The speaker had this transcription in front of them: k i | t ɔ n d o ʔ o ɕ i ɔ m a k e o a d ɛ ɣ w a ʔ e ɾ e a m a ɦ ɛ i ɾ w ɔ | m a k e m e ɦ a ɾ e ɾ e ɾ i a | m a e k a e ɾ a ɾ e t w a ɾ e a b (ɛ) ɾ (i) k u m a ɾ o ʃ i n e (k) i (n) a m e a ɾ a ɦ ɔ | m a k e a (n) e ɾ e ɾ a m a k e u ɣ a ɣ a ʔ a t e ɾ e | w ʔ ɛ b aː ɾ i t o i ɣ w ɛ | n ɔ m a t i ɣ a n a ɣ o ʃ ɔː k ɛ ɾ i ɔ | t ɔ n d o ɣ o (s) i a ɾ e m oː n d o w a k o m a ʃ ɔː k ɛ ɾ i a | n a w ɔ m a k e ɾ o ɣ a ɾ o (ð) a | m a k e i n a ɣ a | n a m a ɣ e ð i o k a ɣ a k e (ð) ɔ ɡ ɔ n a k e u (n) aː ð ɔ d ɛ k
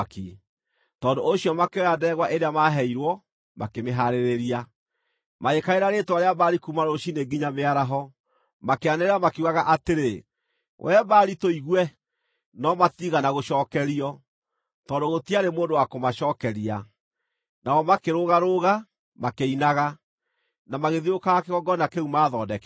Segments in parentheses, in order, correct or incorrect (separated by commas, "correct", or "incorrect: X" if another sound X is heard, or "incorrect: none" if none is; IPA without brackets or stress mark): incorrect: a, correct, incorrect: ɡ, incorrect: ɲ, correct, incorrect: t, incorrect: ɣ, incorrect: ɣ, incorrect: m